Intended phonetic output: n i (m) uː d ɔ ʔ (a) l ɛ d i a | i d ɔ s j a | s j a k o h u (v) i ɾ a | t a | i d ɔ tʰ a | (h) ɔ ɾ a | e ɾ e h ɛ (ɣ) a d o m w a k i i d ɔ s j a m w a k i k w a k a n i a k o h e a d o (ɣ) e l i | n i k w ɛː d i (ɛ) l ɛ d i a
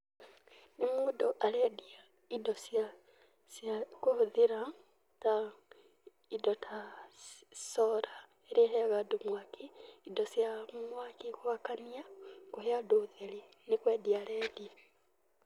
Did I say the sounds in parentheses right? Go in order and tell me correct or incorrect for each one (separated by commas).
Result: correct, correct, incorrect, incorrect, correct, incorrect, incorrect